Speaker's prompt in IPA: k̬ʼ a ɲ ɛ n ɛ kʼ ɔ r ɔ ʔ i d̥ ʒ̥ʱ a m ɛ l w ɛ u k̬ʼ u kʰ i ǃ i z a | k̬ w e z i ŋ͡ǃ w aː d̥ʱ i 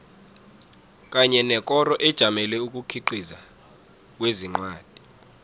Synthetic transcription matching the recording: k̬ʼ a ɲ ɛ n ɛ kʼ ɔ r ɔ ʔ ɛ d̥ ʒ̥ʱ a m ɛ l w ɛ u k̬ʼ u kʰ i ǃ i z a | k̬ w e z i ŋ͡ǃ w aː d̥ʱ i